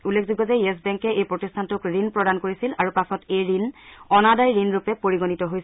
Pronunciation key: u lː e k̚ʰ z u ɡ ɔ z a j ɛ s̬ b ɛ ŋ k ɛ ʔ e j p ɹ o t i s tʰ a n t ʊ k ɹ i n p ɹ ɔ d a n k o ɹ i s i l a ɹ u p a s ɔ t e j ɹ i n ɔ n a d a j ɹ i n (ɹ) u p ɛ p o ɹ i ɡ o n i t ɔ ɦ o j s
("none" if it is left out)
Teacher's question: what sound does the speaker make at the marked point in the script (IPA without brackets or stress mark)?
ɹ